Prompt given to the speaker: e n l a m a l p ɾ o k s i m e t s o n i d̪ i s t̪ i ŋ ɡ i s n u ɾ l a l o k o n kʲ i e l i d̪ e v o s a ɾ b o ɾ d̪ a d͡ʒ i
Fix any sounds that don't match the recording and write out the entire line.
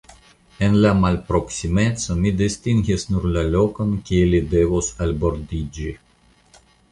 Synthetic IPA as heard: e n l a m a l p ɾ o k s i m e t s o m i d̪ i s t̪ i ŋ ɡ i s n u ɾ l a l o k o n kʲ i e l i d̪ e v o s a l b o ɾ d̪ i d͡ʒ i